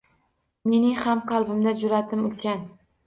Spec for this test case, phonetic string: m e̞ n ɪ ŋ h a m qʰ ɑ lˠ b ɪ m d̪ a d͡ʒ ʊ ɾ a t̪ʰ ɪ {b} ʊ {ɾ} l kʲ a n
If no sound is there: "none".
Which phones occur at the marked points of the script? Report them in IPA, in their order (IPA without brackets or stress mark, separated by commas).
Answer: m, none